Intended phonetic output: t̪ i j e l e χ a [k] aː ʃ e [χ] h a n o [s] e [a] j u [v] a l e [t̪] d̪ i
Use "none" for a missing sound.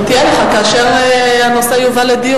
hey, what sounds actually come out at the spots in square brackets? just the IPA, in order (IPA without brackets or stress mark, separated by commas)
k, ʁ, s, a, v, none